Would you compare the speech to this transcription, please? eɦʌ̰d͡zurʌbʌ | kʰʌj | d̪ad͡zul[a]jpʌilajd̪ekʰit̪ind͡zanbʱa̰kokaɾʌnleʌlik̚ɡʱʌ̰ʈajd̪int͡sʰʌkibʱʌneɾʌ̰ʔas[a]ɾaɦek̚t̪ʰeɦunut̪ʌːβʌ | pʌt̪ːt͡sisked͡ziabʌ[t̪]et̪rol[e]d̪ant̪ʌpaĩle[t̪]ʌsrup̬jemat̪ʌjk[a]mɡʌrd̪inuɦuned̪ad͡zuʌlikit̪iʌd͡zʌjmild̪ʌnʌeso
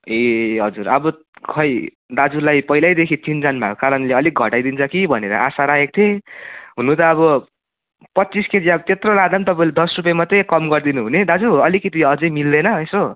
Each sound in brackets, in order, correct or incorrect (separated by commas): correct, correct, correct, incorrect, incorrect, incorrect